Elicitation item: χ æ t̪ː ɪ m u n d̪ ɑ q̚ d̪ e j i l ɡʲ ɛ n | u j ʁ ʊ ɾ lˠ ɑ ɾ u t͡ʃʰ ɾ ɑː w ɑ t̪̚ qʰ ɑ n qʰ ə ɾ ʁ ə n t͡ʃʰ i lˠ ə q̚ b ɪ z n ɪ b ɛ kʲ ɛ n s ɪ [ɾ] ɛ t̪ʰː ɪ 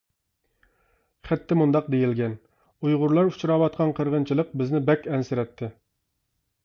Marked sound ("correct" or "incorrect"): correct